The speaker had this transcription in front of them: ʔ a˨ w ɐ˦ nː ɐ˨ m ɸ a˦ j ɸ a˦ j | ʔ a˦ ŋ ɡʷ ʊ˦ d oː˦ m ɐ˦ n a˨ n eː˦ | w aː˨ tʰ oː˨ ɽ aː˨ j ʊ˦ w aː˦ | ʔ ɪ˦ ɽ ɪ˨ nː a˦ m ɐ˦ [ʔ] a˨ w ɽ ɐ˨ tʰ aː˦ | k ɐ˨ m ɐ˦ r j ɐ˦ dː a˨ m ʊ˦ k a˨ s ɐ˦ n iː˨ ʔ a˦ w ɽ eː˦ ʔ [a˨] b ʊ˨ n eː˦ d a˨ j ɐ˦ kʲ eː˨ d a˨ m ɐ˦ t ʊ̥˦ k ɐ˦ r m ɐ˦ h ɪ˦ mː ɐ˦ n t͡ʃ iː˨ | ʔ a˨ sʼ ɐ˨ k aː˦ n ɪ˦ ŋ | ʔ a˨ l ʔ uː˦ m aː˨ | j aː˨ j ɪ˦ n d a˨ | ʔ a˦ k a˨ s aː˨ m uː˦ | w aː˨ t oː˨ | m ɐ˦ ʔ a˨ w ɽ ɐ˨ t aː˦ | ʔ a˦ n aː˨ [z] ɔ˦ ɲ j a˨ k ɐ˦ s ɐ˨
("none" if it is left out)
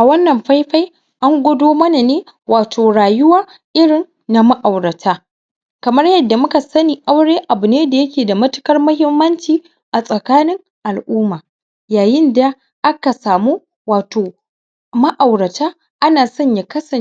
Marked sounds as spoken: ʔ, a˨, s

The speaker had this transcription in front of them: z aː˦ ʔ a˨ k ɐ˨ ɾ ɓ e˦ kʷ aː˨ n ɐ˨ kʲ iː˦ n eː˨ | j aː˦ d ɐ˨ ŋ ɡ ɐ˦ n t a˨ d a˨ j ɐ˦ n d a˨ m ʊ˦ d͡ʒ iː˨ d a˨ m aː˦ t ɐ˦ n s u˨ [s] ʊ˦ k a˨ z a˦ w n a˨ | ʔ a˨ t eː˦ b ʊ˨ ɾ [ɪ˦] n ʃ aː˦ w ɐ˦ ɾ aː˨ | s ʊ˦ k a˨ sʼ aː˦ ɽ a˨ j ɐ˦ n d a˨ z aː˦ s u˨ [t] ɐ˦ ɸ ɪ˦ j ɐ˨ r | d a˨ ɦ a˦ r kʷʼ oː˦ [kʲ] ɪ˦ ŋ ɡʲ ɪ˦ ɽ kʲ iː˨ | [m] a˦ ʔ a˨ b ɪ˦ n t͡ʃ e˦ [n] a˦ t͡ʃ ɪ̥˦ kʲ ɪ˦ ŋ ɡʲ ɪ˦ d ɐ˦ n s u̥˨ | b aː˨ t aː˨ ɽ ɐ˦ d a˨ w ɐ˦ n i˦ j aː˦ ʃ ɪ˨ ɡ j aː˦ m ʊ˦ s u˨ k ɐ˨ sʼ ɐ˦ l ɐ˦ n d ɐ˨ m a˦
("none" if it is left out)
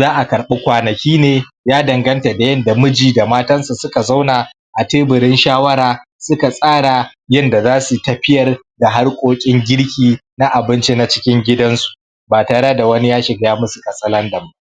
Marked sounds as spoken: s, ɪ˦, t, kʲʼ, n, n

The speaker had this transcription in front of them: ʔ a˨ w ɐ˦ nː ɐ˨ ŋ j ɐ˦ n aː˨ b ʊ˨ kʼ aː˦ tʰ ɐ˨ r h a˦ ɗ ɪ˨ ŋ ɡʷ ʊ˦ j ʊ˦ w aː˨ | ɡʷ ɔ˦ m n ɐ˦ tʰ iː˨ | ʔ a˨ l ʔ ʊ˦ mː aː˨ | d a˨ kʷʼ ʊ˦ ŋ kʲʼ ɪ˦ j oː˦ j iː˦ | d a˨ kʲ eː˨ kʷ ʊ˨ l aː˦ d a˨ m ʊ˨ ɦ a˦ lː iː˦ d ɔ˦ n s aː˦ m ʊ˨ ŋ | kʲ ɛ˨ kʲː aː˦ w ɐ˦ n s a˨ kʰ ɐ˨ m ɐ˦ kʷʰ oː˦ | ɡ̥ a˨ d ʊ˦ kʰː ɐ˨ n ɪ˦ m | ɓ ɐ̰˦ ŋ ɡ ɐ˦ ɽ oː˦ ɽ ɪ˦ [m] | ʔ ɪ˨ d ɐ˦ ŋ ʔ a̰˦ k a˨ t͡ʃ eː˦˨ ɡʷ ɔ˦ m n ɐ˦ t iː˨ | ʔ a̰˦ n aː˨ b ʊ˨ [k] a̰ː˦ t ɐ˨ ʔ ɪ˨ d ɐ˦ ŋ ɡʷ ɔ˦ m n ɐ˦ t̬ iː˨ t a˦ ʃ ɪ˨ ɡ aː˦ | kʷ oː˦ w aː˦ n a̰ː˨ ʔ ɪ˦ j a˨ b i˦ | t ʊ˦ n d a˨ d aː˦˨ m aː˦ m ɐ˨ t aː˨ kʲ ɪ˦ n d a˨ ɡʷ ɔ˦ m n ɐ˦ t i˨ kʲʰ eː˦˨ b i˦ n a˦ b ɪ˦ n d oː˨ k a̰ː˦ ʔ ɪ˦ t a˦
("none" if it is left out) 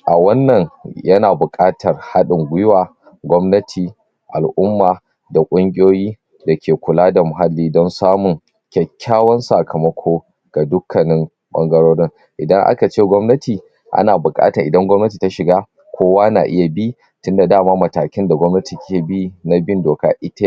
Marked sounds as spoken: ŋ, kʼ

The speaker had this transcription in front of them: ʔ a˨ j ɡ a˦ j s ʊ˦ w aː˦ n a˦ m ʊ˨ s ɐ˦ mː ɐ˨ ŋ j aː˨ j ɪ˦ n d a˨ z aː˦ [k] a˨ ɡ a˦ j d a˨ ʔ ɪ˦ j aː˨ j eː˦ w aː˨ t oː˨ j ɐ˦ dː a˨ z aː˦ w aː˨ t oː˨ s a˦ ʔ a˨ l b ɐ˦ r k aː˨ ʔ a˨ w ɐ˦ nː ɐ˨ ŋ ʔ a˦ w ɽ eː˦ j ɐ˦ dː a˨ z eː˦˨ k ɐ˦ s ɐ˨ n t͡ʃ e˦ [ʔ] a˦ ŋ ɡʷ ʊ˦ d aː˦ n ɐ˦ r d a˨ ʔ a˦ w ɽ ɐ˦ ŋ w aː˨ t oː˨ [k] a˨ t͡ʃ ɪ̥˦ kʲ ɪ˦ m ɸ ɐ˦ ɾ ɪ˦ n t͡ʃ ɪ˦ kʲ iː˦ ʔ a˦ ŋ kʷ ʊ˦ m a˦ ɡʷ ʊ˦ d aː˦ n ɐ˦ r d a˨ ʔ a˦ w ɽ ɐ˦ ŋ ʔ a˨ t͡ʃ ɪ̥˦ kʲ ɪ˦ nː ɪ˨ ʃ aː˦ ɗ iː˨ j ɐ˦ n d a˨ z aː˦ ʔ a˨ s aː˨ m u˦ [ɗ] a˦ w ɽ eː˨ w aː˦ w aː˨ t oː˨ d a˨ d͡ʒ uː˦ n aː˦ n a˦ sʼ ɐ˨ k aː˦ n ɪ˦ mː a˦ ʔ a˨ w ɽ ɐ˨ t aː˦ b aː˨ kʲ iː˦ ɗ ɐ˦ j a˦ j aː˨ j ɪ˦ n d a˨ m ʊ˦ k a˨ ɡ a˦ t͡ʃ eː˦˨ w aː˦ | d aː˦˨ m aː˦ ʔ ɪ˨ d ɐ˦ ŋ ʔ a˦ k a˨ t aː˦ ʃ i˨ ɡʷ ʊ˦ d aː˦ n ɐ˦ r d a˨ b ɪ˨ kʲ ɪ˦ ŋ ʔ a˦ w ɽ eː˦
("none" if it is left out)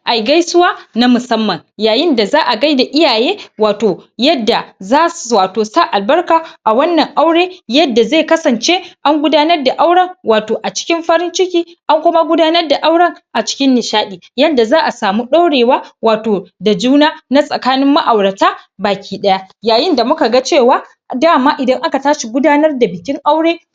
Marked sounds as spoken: ʔ, ʔ, ʔ, ɗ

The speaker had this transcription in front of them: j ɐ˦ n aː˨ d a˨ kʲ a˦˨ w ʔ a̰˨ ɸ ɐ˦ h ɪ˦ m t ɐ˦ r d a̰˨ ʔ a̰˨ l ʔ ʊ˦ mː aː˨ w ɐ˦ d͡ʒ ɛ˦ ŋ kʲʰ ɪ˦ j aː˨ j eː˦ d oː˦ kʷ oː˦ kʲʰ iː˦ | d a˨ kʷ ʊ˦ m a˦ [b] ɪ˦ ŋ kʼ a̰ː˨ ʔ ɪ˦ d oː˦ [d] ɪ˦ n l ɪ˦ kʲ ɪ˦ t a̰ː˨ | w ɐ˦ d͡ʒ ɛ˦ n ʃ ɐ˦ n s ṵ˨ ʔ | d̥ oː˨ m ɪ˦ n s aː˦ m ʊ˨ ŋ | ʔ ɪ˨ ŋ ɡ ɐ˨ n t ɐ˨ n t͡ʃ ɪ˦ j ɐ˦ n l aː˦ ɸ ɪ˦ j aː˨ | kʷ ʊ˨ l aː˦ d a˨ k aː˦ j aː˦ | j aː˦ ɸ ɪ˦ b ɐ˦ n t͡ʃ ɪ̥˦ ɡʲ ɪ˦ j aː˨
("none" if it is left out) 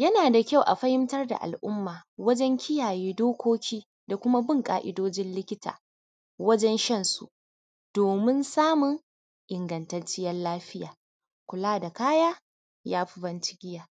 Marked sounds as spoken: b, d͡ʒ

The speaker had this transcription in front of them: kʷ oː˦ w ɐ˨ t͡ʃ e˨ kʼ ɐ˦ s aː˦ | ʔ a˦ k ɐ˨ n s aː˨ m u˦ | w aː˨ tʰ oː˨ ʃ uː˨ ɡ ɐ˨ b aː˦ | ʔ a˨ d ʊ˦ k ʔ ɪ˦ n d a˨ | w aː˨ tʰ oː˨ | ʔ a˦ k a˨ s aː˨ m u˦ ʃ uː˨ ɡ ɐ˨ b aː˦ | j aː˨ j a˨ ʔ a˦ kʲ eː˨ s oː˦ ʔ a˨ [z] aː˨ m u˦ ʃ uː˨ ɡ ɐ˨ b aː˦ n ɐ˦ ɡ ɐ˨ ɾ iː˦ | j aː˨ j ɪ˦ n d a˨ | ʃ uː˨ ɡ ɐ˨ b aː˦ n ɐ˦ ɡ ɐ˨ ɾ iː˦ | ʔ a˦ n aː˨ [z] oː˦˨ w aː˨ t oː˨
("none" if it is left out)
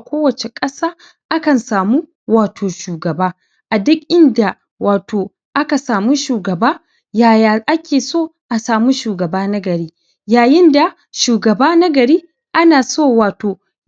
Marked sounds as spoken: s, s

